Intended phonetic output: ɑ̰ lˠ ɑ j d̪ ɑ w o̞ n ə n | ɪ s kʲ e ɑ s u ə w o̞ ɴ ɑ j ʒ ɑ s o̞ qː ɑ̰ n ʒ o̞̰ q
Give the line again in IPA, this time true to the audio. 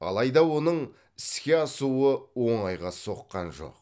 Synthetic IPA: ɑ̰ lˠ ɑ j d̪ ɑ w o̞ n ə ɴ | ɪ s kʲ e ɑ s u ə w o̞ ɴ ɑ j ʁ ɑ s o̞ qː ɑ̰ n ʒ o̞̰ q